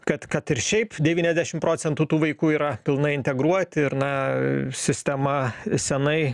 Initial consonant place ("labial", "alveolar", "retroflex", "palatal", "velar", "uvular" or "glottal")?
velar